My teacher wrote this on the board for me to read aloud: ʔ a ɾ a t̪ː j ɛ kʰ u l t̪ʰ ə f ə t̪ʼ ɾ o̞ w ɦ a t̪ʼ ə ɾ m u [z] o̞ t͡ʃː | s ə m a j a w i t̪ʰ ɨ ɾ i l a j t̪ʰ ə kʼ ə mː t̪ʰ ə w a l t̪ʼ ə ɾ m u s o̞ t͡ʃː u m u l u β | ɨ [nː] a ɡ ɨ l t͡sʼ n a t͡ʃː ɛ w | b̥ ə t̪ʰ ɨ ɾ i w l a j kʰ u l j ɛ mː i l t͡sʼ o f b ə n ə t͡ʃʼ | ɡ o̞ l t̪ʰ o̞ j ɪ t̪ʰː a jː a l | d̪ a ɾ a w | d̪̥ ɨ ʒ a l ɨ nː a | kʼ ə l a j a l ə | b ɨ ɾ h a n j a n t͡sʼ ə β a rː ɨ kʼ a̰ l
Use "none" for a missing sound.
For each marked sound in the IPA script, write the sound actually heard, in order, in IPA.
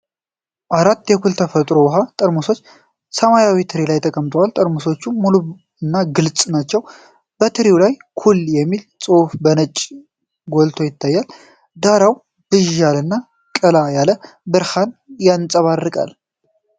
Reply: s, nː

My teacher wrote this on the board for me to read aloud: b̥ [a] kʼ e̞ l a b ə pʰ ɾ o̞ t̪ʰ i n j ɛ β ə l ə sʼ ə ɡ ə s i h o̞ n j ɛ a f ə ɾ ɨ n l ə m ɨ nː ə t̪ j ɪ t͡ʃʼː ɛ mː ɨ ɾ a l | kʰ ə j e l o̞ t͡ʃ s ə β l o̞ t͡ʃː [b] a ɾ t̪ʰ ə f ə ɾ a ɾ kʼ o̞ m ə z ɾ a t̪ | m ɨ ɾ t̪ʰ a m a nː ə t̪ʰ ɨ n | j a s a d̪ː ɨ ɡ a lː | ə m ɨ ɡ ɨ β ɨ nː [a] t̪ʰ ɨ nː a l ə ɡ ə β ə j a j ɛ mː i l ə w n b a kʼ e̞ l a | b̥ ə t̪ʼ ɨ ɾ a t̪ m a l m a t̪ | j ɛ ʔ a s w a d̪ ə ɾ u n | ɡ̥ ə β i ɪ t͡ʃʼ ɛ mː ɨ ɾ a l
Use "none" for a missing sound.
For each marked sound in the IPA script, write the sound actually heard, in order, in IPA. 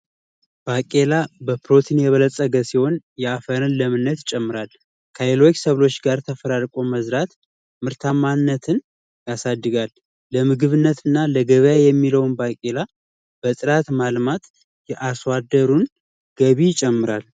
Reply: a, ɡ, ə

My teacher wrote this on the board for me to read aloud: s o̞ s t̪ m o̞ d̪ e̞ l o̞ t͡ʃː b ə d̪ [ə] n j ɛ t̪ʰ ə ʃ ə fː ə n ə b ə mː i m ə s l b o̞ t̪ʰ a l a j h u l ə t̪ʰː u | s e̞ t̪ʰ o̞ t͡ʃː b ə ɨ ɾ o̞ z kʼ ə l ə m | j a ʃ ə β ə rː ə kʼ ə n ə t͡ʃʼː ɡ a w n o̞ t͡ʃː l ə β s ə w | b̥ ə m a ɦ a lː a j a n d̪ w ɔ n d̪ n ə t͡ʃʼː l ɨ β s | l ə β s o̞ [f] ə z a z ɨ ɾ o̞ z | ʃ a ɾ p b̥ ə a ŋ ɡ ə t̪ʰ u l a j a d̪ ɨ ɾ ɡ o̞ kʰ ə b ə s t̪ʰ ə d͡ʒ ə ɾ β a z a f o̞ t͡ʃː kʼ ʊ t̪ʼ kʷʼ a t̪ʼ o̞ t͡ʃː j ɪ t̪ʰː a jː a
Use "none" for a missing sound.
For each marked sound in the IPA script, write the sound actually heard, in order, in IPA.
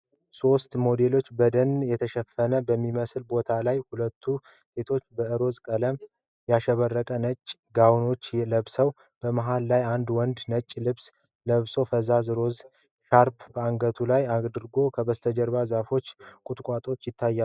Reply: ə, f

